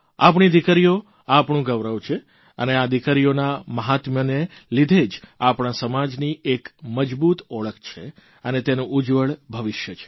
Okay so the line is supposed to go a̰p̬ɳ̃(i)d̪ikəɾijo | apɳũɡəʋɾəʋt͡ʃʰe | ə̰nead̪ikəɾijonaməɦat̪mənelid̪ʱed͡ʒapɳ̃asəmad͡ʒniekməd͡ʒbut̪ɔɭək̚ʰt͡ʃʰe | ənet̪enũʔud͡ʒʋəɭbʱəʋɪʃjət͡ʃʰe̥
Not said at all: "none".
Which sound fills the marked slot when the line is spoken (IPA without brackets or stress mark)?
i